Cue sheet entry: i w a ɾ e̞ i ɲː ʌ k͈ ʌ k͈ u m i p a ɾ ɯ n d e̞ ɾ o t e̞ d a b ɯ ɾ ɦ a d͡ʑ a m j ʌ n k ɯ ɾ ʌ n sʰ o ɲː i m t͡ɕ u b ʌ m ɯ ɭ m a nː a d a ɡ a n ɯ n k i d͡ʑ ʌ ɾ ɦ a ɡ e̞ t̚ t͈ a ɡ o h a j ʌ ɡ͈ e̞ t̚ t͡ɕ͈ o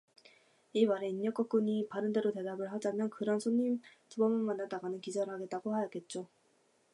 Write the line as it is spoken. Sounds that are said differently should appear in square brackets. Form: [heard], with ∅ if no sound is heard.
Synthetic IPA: i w a ɾ e̞ i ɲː ʌ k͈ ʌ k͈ u [ɲ] i p a ɾ ɯ n d e̞ ɾ o t e̞ d a b ɯ [ɭ] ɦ a d͡ʑ a m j ʌ n k ɯ ɾ ʌ n sʰ o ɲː i m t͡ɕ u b ʌ m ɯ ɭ m a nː a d a ɡ a n ɯ n k i d͡ʑ ʌ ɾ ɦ a ɡ e̞ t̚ t͈ a ɡ o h a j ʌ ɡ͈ e̞ t̚ t͡ɕ͈ o